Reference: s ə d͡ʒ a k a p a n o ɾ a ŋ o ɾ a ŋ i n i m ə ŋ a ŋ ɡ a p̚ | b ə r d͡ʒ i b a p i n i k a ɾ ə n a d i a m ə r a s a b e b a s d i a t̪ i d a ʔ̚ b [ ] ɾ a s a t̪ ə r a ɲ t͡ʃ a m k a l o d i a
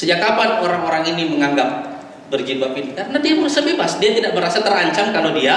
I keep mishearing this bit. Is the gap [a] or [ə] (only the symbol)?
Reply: ə